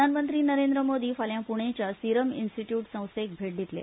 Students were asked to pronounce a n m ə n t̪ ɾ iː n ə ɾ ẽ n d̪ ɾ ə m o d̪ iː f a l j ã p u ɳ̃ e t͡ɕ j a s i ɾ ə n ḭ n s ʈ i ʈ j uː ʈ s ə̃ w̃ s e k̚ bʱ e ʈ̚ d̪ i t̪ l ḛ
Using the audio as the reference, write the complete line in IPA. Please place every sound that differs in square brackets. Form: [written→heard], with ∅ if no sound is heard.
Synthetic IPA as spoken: a n m ə n t̪ ɾ iː n ə ɾ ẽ n d̪ ɾ ə m o d̪ iː f a l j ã p u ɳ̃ e t͡ɕ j a s i ɾ ə [n→m] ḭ n s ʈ i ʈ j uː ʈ s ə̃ w̃ s e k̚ bʱ e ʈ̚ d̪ i t̪ l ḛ